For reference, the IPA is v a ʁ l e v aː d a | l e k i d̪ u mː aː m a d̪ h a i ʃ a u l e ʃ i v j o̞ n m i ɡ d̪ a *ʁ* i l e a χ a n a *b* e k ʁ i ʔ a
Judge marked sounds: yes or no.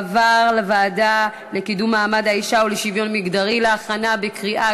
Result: yes, yes

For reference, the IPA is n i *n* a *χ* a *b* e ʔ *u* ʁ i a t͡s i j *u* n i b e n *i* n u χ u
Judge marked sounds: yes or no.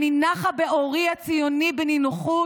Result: yes, yes, yes, no, no, yes

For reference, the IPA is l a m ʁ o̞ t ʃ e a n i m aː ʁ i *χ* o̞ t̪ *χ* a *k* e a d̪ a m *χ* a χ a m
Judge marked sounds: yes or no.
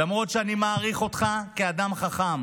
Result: yes, yes, yes, yes

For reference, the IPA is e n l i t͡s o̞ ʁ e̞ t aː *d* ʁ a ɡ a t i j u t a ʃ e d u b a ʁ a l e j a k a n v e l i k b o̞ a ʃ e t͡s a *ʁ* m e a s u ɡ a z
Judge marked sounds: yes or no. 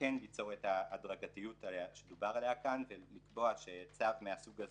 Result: yes, no

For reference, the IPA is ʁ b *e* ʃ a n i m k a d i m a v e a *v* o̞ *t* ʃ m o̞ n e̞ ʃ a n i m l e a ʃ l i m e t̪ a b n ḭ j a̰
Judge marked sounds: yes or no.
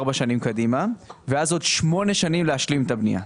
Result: no, no, no

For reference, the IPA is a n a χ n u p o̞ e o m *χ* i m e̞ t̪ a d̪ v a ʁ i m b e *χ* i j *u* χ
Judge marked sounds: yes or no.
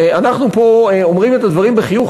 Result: no, yes, yes

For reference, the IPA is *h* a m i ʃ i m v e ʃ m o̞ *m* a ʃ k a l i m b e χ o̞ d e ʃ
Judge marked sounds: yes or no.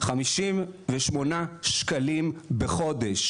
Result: no, no

